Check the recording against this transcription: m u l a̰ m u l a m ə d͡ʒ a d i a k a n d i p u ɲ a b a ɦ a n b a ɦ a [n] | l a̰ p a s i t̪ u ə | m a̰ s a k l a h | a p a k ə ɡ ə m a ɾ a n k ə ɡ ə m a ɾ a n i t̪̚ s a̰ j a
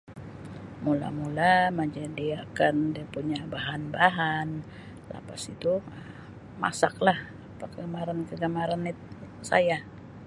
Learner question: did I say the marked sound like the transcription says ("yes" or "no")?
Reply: yes